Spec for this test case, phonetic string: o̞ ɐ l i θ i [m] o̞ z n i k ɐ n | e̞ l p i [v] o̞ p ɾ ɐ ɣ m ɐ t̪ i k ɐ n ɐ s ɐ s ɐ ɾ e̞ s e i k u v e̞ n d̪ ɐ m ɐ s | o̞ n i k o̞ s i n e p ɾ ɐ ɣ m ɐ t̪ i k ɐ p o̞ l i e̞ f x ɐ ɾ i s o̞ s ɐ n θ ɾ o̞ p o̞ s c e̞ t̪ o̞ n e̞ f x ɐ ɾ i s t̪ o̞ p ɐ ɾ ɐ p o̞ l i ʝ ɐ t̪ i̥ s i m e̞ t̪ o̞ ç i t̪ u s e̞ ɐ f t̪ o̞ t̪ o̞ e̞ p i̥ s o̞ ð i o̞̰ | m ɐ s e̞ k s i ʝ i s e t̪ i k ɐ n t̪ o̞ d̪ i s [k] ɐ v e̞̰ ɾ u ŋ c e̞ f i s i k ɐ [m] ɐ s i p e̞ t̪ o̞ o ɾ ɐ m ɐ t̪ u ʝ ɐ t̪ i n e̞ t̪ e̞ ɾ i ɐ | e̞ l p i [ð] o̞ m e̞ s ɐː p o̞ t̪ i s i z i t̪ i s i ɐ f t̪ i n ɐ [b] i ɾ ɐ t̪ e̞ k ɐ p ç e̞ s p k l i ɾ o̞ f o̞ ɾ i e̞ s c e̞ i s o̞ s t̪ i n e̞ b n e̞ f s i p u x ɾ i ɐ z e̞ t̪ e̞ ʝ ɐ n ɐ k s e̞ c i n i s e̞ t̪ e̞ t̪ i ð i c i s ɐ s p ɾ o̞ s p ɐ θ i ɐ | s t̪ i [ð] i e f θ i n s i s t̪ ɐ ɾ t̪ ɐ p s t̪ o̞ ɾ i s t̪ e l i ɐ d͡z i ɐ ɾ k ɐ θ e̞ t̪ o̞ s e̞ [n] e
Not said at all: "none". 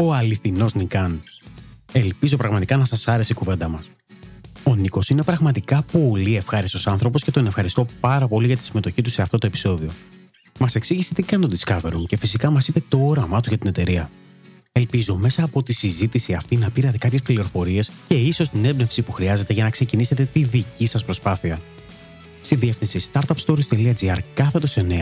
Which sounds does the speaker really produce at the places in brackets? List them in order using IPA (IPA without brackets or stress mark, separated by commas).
n, z, k, m, z, p, ð, n